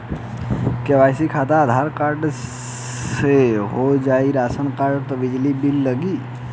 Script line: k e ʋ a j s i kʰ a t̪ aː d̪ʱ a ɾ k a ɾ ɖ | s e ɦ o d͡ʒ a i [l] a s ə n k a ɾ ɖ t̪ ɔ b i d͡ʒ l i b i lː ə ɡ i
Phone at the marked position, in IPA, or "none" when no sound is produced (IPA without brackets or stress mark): ɾ